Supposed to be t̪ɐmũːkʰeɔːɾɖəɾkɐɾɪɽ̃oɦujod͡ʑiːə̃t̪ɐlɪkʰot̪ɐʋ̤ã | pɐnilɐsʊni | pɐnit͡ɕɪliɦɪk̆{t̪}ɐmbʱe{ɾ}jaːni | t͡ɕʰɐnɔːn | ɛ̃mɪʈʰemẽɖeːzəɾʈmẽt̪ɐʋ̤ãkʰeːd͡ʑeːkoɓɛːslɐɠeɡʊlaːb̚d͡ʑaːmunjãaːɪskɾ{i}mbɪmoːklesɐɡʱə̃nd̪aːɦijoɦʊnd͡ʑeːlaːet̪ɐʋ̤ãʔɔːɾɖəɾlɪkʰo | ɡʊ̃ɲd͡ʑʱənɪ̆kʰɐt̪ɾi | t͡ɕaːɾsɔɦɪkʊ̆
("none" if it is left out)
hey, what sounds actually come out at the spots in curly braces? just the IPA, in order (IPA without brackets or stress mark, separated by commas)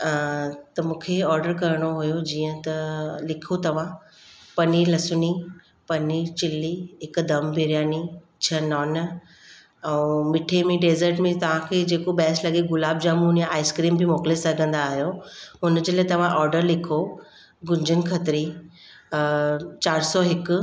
d̪, ɾ, iː